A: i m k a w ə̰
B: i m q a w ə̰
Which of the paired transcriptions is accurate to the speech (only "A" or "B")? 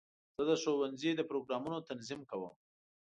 A